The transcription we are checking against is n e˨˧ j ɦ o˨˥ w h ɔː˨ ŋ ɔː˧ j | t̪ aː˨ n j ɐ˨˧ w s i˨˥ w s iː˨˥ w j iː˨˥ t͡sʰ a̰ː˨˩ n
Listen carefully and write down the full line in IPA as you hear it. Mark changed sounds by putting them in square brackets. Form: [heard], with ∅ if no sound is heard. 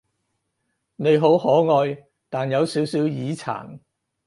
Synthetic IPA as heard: n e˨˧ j ɦ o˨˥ w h [ɔː˨˥] ŋ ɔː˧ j | t̪ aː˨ n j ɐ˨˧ w s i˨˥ w s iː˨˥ w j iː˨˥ t͡sʰ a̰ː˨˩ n